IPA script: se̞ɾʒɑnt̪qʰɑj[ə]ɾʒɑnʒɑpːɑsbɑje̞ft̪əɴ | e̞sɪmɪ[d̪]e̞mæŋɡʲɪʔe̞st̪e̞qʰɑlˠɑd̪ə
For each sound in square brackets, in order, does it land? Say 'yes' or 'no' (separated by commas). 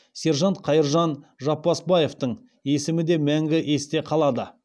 yes, yes